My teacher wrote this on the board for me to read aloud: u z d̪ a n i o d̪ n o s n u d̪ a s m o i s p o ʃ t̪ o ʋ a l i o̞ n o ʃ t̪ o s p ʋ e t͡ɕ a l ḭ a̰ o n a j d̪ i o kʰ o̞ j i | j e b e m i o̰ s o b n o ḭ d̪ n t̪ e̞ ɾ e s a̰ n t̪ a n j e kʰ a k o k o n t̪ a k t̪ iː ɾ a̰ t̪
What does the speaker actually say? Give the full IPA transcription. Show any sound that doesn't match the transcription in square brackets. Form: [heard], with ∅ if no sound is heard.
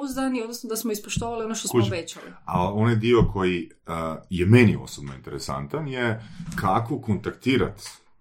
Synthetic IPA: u z d̪ a n i o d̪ n o s n [o] d̪ a s m o i s p o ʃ t̪ o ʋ a l i o̞ n o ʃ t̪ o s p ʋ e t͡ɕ a l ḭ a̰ o n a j d̪ i o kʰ o̞ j i | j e [m] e [n] i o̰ s o b n o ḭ [∅] n t̪ e̞ ɾ e s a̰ n t̪ a n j e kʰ a k o k o n t̪ a k t̪ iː ɾ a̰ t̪